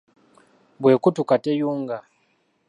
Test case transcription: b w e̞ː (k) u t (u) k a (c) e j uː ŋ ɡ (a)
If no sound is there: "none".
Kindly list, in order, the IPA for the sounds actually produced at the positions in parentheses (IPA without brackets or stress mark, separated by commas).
k, u, t, a